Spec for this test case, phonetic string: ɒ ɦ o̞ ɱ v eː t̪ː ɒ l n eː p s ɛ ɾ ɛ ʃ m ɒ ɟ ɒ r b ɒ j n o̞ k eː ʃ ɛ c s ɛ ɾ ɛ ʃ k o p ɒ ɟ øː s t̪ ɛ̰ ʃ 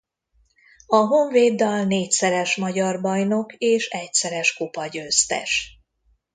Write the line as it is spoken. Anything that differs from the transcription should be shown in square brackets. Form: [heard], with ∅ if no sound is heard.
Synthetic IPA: ɒ ɦ o̞ ɱ v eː [d̪ː] ɒ l n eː [c] s ɛ ɾ ɛ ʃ m ɒ ɟ ɒ r b ɒ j n o̞ k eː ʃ ɛ c s ɛ ɾ ɛ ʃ k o p ɒ ɟ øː s t̪ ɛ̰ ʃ